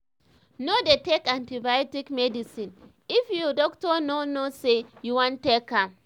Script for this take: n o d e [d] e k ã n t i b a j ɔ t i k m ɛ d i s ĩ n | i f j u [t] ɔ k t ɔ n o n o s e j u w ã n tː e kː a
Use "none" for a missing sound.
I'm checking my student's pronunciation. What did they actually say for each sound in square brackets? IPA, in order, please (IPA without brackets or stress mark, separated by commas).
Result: t, d